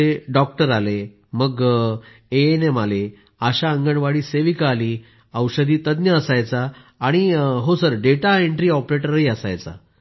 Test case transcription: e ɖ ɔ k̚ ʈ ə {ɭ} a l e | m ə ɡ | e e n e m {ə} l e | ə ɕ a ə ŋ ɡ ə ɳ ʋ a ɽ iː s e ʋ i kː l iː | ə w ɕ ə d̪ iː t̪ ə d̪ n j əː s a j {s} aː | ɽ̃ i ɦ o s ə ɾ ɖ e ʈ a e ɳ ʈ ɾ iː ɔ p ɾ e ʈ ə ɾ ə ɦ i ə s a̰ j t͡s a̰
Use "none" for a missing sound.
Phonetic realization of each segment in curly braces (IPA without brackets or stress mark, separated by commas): ɾ, a, t͡s